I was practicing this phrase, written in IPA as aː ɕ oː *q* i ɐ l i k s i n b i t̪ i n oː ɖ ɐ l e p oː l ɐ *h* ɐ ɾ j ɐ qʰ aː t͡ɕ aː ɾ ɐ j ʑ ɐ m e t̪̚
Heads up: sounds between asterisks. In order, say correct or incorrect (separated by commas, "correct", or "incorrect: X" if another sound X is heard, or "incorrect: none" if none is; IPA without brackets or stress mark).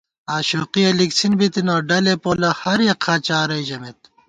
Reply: correct, correct